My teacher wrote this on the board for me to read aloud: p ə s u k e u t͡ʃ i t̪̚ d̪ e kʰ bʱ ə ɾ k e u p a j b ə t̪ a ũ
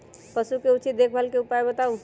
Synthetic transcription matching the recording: p ə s u k e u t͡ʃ i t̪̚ d̪ e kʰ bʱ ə l k e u p a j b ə t̪ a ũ